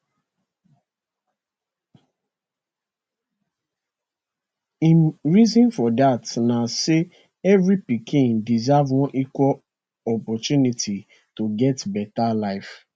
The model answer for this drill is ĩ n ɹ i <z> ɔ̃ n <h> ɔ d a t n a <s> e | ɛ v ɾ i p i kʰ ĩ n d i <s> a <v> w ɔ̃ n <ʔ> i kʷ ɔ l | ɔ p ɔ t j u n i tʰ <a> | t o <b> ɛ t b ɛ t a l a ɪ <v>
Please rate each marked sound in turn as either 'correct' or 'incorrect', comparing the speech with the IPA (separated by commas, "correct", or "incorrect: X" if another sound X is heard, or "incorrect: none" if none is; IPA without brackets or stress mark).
correct, incorrect: f, correct, incorrect: z, correct, correct, incorrect: i, incorrect: ɡ, incorrect: f